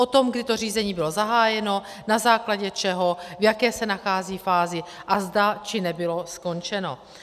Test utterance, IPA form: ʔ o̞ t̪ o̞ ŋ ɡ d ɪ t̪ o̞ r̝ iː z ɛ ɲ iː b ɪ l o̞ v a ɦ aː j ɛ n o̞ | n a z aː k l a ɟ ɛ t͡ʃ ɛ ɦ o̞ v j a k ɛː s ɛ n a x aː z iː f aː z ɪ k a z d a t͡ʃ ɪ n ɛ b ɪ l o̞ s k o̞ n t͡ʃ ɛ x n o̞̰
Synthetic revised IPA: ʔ o̞ t̪ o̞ m ɡ d ɪ t̪ o̞ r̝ iː z ɛ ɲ iː b ɪ l o̞ z a ɦ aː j ɛ n o̞ | n a z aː k l a ɟ ɛ t͡ʃ ɛ ɦ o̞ v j a k ɛː s ɛ n a x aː z iː f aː z ɪ ʔ a z d a t͡ʃ ɪ n ɛ b ɪ l o̞ s k o̞ n t͡ʃ ɛ n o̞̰